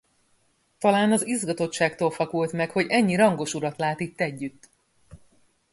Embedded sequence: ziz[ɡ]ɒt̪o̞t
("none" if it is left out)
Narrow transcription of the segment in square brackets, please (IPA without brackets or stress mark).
ɡ